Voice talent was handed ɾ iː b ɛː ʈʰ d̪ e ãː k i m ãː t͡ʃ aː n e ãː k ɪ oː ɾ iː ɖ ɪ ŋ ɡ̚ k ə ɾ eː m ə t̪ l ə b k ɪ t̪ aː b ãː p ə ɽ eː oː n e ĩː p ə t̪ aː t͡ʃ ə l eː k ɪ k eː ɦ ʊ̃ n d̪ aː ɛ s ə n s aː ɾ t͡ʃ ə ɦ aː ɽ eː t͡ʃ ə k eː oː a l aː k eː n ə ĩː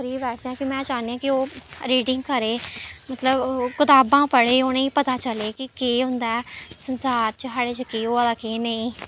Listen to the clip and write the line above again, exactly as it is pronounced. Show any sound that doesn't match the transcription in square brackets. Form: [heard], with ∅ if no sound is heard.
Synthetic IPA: ɾ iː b ɛː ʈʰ d̪ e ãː k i m [ɛ̃ː] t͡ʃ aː n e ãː k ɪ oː ɾ iː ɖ ɪ ŋ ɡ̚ k ə ɾ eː m ə t̪ l ə b k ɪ t̪ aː b ãː p ə ɽ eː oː n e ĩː p ə t̪ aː t͡ʃ ə l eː k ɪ k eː ɦ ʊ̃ n d̪ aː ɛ s ə n s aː ɾ t͡ʃ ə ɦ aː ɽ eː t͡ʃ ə k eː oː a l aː k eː n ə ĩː